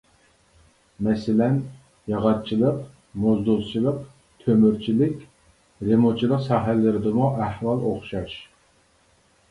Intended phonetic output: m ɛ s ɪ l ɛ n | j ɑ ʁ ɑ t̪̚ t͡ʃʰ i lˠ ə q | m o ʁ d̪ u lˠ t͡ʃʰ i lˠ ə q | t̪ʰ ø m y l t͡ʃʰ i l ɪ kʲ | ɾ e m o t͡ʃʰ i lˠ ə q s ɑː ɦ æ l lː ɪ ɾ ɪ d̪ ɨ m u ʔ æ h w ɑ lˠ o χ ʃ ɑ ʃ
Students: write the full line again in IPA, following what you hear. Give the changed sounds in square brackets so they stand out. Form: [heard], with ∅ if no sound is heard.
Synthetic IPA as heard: m ɛ s ɪ l ɛ n | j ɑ ʁ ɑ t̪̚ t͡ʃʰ i lˠ ə q | m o [z] d̪ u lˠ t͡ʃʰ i lˠ ə q | t̪ʰ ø m y [ɾ] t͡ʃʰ i l ɪ kʲ | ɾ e m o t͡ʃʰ i lˠ ə q s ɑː ɦ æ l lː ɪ ɾ ɪ d̪ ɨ m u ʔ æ h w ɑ lˠ o χ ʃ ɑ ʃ